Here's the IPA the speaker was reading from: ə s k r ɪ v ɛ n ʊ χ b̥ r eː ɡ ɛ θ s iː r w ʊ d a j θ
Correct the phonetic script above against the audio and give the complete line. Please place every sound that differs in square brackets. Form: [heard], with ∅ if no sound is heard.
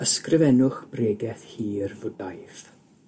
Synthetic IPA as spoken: ə s k r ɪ v ɛ n ʊ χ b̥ r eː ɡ ɛ θ [h] iː r [v] ʊ d a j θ